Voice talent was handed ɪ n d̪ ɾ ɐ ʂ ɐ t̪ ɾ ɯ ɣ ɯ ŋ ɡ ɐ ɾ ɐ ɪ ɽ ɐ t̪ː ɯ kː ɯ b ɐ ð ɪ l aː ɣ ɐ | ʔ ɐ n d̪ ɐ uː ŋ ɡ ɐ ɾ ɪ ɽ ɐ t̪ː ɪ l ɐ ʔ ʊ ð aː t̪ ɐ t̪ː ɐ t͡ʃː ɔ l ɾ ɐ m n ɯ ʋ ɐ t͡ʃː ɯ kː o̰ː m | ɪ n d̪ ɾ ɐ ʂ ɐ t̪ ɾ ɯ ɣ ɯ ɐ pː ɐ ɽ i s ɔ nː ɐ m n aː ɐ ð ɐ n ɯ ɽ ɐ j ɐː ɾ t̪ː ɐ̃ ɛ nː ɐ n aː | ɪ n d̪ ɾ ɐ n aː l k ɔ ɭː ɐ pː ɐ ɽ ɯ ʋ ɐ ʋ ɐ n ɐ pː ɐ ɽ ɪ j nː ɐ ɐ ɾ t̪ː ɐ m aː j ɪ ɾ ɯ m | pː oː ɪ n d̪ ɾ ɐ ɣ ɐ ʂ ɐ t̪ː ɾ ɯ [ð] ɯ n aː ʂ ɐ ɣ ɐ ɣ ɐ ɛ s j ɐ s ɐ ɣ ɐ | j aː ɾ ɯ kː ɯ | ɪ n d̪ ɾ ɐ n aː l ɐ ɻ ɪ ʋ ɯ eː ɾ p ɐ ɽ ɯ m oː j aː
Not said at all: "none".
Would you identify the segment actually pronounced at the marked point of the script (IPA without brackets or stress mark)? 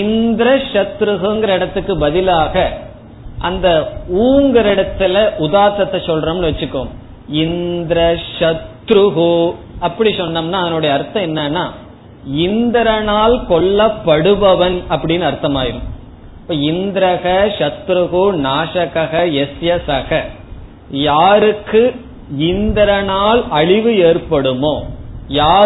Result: ɣ